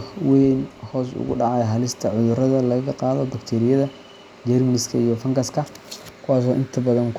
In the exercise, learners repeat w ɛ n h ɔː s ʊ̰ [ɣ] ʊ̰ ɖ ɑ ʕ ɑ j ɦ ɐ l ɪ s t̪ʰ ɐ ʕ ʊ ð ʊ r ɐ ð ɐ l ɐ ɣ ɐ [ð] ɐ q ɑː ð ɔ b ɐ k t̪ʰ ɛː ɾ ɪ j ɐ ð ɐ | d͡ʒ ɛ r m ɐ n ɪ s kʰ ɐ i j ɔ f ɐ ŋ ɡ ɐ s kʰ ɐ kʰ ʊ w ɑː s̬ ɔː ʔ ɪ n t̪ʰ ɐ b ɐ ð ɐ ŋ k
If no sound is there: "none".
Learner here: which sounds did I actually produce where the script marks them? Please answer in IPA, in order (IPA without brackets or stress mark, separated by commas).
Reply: ɣ, ɣ